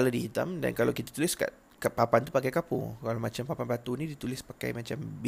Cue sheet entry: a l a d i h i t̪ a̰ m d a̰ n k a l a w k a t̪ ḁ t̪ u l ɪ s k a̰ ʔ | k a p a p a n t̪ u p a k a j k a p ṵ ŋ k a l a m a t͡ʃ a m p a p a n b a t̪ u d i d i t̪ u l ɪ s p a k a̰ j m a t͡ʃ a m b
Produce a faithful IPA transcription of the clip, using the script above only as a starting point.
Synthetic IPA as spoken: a l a d i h i t̪ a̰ m d a̰ n k a l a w k i t̪ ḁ t̪ u l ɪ s k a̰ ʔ | k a p a p a n t̪ u p a k a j k a p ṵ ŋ k a l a m a t͡ʃ a m p a p a n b a t̪ u n i d i t̪ u l ɪ s p a k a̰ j m a t͡ʃ a m b